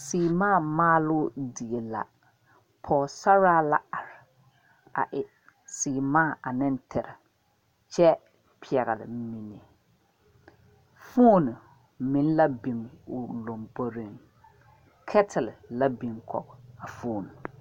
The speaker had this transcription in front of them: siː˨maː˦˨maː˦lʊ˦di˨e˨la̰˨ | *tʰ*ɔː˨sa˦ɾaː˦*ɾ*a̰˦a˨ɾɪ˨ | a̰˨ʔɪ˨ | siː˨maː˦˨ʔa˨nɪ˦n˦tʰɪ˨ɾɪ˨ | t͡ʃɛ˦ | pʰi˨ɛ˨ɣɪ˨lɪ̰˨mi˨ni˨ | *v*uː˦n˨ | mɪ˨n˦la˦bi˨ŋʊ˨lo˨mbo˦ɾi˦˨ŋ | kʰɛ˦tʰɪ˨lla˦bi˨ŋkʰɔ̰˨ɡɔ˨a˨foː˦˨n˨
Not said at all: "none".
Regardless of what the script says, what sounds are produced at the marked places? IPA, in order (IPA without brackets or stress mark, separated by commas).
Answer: pʰ, l, f